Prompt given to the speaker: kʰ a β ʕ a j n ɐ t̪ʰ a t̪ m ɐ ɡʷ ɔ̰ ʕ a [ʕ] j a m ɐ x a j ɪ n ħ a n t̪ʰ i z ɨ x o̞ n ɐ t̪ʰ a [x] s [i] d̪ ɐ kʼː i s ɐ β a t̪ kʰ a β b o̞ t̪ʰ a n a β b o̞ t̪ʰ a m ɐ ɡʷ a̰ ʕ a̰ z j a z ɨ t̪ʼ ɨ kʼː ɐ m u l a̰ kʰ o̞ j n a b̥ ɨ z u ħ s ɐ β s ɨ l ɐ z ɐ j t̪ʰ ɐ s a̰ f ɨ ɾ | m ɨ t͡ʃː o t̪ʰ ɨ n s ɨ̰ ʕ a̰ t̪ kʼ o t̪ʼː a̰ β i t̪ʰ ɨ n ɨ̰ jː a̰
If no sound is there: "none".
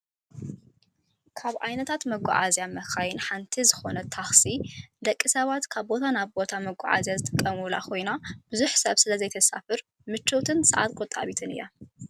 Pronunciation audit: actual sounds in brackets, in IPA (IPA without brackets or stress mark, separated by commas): z, x, i